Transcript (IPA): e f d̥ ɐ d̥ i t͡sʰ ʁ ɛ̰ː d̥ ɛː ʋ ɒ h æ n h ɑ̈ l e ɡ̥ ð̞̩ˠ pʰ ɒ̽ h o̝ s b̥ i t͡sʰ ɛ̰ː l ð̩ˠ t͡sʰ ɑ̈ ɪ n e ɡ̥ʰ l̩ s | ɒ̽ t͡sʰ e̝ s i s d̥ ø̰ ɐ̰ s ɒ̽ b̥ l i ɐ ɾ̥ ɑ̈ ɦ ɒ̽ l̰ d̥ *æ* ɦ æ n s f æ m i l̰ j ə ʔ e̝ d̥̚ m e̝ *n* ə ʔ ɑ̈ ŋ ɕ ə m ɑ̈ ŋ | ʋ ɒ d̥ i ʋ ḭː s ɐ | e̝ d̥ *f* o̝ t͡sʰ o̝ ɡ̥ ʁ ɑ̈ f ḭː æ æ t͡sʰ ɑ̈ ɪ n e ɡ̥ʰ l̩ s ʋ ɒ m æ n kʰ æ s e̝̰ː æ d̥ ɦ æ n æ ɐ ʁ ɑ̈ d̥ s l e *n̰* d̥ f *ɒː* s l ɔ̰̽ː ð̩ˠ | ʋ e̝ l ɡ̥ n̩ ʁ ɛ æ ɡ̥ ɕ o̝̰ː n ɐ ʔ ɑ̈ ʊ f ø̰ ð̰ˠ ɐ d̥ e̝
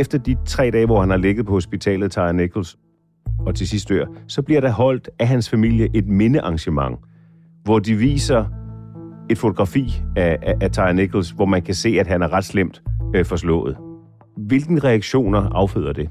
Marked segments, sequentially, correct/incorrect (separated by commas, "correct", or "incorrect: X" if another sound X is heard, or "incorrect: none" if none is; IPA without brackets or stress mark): correct, correct, correct, incorrect: m̰, incorrect: ɒ